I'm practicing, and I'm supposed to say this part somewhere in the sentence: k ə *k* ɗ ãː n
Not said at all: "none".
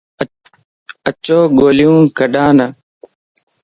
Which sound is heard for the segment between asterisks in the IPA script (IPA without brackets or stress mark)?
none